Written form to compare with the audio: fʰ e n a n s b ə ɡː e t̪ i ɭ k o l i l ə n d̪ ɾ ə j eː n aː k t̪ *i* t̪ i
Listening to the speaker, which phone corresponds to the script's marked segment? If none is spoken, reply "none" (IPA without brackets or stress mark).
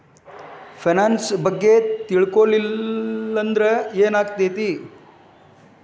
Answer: e